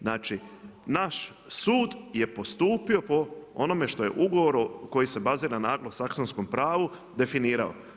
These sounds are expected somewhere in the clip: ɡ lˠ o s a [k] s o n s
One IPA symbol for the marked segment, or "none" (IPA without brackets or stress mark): k